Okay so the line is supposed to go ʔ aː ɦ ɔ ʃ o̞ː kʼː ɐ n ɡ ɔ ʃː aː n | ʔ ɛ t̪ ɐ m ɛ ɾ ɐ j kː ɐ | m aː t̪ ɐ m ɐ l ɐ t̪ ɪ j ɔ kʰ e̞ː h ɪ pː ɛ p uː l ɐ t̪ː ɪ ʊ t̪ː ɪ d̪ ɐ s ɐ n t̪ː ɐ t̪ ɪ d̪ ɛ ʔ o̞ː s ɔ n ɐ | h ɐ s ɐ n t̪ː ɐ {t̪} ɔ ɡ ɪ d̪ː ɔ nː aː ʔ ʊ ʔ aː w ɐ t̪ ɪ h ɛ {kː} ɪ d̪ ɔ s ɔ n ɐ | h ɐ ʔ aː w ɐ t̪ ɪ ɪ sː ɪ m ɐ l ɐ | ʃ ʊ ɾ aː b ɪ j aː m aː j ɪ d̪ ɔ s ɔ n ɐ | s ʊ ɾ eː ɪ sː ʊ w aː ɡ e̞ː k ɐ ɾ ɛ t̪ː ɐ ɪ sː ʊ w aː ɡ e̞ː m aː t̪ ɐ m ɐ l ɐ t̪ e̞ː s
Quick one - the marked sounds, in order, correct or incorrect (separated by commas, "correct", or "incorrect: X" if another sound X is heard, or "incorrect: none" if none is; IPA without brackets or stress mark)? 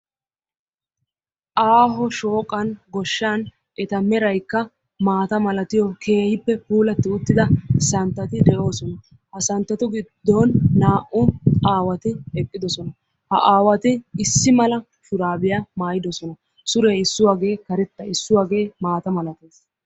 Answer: correct, incorrect: kʼː